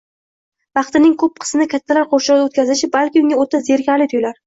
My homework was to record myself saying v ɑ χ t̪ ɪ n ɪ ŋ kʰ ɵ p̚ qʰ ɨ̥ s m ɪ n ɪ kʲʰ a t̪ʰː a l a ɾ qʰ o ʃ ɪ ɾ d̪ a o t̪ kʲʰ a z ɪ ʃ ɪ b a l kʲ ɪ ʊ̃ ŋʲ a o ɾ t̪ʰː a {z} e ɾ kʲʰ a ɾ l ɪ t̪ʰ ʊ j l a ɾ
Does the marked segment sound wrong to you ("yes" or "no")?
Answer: no